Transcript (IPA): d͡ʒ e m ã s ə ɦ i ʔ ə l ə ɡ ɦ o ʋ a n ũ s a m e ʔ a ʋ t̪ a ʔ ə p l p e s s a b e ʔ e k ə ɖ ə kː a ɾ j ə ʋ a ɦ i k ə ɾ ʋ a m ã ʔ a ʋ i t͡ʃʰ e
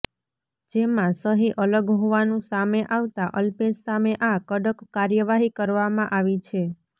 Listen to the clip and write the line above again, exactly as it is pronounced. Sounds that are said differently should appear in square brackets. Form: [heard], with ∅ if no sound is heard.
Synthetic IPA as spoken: d͡ʒ e m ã s ə ɦ i ʔ ə l ə ɡ ɦ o ʋ a n ũ s a m e ʔ a ʋ t̪ a ʔ ə [∅] l p e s s a [m] e ʔ [a] k ə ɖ ə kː a ɾ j ə ʋ a ɦ i k ə ɾ ʋ a m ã ʔ a ʋ i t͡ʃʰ e